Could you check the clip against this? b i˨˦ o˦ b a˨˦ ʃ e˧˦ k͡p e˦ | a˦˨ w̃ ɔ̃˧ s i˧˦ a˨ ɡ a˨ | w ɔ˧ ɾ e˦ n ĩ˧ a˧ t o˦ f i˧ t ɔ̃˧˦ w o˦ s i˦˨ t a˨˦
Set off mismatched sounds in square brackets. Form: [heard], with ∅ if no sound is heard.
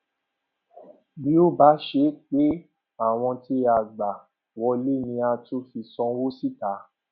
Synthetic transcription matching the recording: b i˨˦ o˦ b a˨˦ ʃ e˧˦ k͡p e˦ | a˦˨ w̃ ɔ̃˧ [t] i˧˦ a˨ [ɡ͡b] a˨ | w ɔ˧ [l] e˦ n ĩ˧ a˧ t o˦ f i˧ [s] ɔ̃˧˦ w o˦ s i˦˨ t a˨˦